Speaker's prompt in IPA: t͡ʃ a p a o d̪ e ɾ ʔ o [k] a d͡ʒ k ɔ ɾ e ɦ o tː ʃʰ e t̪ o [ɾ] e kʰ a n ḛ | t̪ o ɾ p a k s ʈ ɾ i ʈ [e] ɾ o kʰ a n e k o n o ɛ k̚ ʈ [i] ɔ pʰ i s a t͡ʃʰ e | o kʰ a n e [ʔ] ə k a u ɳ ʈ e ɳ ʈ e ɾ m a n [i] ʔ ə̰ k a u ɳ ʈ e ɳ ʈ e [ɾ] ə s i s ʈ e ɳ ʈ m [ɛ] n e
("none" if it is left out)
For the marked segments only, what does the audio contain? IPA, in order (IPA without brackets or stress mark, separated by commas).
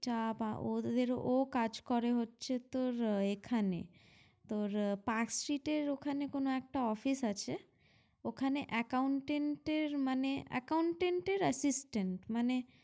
k, ɾ, e, a, ʔ, e, ɾ, a